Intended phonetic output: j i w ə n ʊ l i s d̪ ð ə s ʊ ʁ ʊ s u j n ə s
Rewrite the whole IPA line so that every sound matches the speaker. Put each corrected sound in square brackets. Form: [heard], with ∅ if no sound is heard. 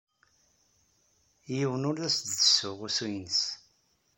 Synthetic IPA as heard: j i w ə n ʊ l [æ] s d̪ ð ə s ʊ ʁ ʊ s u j n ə s